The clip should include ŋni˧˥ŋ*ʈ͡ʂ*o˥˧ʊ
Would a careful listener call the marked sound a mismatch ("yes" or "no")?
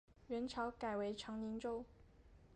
no